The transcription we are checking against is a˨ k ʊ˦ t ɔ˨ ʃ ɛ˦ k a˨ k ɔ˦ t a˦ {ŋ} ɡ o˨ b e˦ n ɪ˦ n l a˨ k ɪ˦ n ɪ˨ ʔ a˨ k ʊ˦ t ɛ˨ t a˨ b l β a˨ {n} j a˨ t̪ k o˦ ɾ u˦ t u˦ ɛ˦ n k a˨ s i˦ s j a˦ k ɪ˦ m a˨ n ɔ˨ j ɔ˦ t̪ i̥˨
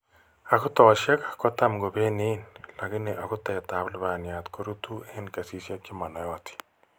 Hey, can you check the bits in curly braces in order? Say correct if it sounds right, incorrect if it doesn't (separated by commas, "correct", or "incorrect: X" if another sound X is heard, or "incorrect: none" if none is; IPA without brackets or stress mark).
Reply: incorrect: m, correct